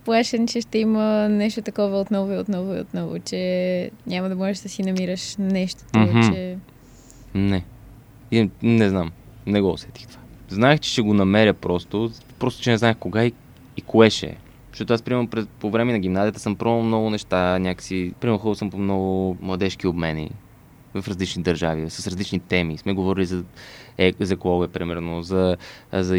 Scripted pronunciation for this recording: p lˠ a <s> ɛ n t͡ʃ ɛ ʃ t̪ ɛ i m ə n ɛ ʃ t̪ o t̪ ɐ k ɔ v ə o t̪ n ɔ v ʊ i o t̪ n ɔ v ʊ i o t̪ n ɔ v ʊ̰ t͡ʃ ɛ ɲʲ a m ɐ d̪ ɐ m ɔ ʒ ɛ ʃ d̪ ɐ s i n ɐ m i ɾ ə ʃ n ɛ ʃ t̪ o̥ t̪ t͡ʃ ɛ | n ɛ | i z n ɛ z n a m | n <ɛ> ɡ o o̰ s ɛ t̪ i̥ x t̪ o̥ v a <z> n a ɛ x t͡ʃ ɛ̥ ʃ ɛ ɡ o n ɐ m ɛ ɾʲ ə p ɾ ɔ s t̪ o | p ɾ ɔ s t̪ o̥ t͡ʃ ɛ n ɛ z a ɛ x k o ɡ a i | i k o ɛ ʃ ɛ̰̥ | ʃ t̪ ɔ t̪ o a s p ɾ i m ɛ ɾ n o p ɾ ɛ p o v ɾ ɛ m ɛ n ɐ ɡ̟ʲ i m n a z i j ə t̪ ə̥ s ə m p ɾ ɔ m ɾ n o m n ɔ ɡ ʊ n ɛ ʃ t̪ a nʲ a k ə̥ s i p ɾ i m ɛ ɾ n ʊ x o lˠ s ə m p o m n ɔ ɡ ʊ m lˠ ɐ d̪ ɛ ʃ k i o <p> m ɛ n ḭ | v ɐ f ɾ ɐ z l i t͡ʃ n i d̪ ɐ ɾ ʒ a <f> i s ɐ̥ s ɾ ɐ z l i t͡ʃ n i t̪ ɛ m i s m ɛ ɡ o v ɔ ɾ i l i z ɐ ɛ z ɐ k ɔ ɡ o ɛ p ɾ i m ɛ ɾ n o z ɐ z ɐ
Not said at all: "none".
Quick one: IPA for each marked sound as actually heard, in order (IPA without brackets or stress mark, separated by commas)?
ʃ, ɛ, z, b, v